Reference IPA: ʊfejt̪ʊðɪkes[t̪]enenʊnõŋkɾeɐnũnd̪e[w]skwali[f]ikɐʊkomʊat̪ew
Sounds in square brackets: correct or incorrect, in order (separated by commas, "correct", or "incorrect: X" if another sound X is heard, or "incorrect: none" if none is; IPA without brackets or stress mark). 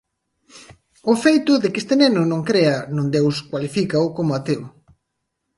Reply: correct, correct, correct